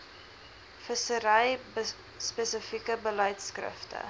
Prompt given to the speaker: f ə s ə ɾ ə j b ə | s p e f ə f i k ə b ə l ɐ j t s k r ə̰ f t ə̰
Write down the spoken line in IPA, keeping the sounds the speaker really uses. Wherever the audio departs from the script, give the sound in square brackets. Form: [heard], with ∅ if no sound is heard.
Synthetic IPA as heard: f ə s ə ɾ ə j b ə | s p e [s] ə f i k ə b ə l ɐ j t s k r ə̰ f t ə̰